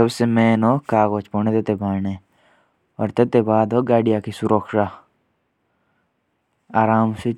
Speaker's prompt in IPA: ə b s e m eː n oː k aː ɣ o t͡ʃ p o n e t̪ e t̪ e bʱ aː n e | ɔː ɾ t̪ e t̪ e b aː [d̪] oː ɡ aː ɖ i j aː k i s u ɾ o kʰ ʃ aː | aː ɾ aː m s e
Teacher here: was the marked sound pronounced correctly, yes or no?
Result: yes